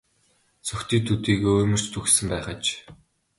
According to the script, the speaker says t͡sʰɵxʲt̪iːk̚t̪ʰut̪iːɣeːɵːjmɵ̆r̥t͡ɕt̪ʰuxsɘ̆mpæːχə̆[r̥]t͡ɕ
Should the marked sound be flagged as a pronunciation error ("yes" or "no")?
yes